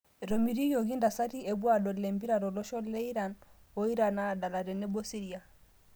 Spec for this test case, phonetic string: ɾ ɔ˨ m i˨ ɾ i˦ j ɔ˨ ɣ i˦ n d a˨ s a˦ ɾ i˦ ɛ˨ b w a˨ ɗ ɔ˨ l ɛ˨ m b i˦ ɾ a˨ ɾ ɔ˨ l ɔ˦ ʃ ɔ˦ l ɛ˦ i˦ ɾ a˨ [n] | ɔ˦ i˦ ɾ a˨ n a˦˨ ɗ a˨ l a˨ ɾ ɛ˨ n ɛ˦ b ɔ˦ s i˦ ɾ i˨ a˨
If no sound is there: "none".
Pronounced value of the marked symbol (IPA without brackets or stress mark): n